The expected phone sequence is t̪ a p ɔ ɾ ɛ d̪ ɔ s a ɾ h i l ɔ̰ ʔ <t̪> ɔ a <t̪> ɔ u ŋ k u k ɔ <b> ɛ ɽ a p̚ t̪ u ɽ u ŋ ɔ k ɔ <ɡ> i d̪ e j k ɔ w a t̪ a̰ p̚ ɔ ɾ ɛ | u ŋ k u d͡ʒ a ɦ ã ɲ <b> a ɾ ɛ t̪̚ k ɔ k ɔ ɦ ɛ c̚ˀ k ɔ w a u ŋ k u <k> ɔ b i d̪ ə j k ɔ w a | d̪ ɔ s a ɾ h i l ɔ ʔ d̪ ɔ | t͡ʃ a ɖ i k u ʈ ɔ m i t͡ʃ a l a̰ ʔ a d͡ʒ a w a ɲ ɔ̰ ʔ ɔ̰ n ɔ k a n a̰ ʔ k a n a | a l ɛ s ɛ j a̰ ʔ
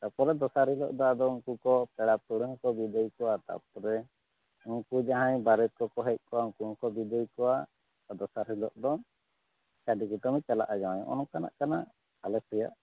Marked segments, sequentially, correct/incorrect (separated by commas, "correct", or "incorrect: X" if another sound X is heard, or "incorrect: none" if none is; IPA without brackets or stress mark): incorrect: d̪, incorrect: d̪, incorrect: p, incorrect: b, correct, correct